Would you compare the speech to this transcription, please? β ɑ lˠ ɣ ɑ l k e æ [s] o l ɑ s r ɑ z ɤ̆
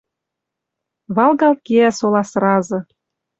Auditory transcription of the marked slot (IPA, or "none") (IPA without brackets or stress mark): s